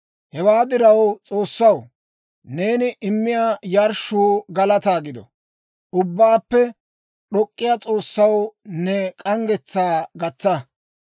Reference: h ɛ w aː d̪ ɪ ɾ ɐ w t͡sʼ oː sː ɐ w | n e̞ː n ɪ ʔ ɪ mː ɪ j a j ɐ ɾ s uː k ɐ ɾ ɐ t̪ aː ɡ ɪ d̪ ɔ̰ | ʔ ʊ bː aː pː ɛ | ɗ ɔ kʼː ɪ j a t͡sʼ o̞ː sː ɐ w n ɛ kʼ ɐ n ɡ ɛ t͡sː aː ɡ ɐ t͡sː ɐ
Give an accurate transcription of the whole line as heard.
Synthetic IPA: h ɛ w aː d̪ ɪ ɾ ɐ w t͡sʼ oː sː ɐ w | n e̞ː n ɪ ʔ ɪ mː ɪ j a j ɐ ɾ ʃ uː ɡ ɐ l ɐ t̪ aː ɡ ɪ d̪ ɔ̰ | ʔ ʊ bː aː pː ɛ | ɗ ɔ kʼː ɪ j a t͡sʼ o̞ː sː ɐ w n ɛ kʼ ɐ ŋ ɡ ɛ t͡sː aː ɡ ɐ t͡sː ɐ